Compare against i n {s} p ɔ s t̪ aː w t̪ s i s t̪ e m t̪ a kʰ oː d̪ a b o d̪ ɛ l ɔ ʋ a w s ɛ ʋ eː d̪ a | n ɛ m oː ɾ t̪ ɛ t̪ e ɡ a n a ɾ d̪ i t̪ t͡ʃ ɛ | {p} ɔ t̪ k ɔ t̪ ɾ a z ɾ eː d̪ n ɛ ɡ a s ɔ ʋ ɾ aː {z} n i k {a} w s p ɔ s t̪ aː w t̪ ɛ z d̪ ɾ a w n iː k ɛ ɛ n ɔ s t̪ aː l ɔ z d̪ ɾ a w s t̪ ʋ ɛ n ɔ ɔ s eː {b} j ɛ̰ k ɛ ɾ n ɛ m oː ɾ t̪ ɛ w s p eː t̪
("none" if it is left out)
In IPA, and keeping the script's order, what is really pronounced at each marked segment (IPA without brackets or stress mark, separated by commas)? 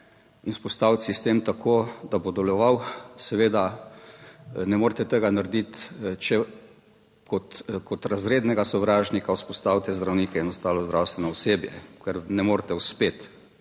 s, k, ʒ, a, b